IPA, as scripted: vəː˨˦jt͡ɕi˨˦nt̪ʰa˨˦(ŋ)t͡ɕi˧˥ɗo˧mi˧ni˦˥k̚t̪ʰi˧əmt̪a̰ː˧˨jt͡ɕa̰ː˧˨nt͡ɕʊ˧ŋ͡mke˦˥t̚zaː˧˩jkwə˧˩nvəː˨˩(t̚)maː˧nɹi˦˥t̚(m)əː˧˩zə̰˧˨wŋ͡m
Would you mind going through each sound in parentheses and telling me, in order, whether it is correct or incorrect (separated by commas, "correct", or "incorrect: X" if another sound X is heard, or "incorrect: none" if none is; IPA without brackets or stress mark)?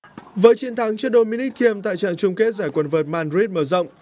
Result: correct, correct, correct